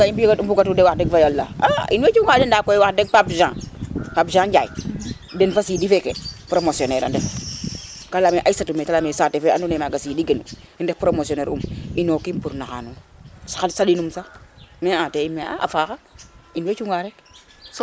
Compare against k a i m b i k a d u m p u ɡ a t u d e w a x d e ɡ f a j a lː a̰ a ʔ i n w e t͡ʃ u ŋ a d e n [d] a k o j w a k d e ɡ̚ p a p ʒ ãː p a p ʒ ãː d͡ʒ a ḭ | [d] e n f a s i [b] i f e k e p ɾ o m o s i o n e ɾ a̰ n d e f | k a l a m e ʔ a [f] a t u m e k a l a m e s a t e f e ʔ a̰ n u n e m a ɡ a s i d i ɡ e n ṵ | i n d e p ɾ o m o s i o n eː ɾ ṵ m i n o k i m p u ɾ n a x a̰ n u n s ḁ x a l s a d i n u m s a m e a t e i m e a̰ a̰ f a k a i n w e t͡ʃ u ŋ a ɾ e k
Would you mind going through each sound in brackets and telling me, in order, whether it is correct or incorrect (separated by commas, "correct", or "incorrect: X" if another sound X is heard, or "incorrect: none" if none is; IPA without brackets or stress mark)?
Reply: correct, correct, incorrect: d, incorrect: s